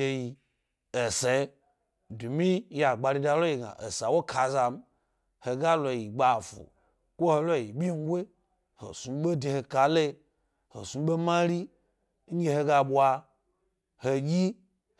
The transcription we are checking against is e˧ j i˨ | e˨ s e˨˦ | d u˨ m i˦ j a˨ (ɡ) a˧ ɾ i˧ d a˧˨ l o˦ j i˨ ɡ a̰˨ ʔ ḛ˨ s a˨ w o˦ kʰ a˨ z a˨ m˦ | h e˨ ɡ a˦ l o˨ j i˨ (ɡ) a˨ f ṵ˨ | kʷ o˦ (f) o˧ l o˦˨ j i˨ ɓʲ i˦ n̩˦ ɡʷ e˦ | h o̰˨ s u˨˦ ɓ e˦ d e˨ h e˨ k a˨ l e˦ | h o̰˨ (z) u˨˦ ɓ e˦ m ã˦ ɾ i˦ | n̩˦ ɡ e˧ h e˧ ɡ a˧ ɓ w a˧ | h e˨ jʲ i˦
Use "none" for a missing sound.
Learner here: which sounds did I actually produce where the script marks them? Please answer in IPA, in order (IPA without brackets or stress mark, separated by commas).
ɡ͡b, ɡ͡b, h, s